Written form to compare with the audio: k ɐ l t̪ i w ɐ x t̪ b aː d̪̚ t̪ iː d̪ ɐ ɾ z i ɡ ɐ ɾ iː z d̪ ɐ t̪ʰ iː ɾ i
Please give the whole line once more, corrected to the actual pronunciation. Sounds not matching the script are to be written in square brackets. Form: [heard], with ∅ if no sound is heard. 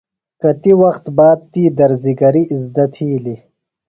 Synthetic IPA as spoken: k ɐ [∅] t̪ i w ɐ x t̪ b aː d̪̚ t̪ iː d̪ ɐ ɾ z i ɡ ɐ ɾ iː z d̪ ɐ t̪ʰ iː [l] i